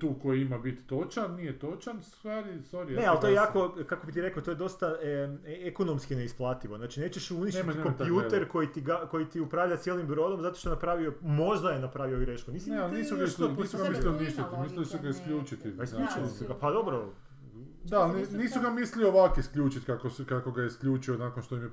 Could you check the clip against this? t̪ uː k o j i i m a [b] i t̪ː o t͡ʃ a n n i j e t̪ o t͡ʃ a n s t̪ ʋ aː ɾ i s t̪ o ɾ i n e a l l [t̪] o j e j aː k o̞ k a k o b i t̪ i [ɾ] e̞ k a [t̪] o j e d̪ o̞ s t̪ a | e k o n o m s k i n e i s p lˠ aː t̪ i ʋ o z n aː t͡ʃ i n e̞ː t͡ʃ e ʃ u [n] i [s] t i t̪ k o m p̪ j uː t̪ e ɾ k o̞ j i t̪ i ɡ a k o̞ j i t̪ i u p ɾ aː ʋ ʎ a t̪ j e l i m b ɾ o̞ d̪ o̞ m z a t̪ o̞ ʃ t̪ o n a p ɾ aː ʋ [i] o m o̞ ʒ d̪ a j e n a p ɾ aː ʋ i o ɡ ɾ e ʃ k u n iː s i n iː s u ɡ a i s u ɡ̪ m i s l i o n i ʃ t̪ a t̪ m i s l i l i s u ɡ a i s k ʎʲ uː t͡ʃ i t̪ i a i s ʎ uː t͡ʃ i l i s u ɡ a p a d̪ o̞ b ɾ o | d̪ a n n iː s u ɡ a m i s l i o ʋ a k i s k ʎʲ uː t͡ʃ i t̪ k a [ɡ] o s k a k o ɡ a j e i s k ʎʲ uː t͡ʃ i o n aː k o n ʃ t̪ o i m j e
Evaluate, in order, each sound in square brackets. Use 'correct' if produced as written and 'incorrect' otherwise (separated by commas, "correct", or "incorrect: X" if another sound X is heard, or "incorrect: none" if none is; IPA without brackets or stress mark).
correct, correct, correct, correct, correct, incorrect: ʃ, correct, incorrect: k